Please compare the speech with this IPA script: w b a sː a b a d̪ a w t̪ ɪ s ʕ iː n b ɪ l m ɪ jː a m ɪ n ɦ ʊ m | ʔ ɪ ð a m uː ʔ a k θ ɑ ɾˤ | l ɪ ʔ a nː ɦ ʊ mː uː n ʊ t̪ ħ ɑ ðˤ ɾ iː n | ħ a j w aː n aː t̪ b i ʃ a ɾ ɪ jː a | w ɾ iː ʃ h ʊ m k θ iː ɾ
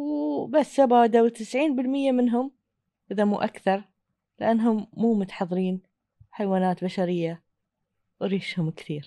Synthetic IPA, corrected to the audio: w b a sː a b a d̪ a w t̪ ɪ s ʕ iː n b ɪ l m ɪ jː a m ɪ n ɦ ʊ m | ʔ ɪ ð a m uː ʔ a k θ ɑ ɾˤ | l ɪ ʔ a nː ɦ ʊ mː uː m ʊ t̪ ħ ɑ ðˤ ɾ iː n | ħ a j w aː n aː t̪ b a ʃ a ɾ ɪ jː a | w ɾ iː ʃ h ʊ m k θ iː ɾ